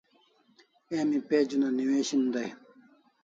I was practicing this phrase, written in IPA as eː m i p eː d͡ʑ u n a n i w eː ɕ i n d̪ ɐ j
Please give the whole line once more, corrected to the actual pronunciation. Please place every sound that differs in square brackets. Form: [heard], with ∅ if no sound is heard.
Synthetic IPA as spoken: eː m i p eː d͡ʑ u n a n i w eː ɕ i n d̪ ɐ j